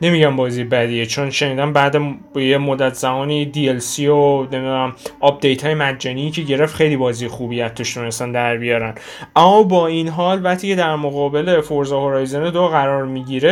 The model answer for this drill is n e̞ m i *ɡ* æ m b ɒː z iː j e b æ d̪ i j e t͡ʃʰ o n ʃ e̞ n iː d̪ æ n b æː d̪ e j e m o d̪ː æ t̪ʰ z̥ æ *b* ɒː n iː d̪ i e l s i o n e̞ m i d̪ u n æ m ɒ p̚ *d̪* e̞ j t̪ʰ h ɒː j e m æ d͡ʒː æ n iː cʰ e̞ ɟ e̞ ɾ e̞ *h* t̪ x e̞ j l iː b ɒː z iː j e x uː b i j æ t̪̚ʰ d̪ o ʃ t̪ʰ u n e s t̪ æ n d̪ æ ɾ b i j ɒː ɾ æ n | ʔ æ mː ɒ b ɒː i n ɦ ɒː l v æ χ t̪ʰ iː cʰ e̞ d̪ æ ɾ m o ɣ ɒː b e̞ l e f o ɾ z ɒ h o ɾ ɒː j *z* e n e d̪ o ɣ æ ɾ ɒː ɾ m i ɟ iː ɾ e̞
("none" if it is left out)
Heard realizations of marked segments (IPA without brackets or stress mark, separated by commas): ɟ, m, d̪, f, z